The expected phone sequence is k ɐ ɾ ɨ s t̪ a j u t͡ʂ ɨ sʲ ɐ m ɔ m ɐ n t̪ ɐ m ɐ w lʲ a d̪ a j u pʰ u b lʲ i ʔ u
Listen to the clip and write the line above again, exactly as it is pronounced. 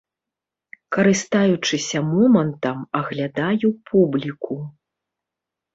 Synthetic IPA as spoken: k ɐ ɾ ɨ s t̪ a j u t͡ʂ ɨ sʲ ɐ m ɔ m ɐ n t̪ ɐ m ɐ ɣ lʲ a d̪ a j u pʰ u b lʲ i k u